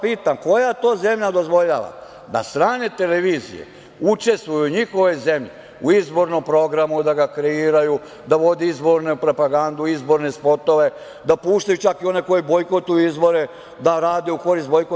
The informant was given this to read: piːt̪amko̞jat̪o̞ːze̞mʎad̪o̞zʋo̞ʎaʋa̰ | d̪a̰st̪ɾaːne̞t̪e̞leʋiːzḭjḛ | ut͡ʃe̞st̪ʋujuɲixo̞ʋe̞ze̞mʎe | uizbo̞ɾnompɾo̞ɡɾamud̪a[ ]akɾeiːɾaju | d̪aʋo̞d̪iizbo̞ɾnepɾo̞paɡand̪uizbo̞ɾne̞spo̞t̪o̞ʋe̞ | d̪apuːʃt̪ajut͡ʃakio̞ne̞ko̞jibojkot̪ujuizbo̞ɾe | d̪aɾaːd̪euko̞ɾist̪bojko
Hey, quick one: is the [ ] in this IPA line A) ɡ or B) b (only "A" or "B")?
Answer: A